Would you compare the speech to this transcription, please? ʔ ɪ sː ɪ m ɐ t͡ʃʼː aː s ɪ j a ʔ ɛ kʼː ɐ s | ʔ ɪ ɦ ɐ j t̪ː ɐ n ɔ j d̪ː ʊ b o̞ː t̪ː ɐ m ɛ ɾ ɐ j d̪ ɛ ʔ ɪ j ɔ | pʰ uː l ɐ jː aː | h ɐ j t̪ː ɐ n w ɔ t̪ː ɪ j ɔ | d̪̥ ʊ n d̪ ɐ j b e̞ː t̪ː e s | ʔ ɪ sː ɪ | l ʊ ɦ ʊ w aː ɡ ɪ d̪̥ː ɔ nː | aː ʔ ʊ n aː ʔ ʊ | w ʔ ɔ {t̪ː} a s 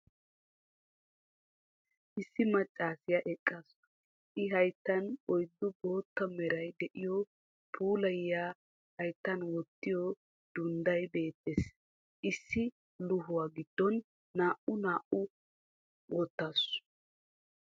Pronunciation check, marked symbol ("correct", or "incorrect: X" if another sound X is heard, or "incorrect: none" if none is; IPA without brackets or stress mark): correct